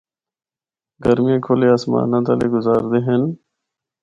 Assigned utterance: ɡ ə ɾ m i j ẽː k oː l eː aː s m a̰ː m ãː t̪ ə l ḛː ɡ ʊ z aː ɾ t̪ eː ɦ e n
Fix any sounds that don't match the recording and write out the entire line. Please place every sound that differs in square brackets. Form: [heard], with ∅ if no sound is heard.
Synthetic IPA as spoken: ɡ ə ɾ m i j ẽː [kʰ] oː l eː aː s m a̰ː [n] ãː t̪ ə l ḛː ɡ ʊ z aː ɾ [d̪] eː ɦ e n